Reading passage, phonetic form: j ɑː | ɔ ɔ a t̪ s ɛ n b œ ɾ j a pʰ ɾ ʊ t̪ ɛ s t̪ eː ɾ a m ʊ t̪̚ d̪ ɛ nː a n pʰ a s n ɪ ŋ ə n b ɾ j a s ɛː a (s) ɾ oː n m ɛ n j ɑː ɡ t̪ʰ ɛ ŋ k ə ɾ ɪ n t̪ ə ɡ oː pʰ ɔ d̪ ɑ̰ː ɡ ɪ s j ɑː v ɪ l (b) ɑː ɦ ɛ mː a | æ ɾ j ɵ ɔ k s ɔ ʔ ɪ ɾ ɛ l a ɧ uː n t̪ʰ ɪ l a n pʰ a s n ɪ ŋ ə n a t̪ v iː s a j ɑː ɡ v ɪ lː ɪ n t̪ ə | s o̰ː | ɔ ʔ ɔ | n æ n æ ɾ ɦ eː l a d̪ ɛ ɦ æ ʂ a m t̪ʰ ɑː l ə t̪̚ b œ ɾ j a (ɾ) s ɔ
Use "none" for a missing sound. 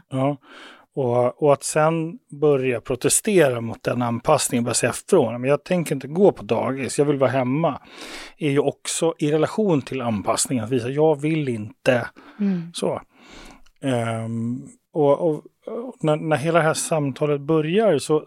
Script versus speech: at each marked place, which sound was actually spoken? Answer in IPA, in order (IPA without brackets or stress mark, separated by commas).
f, v, ɾ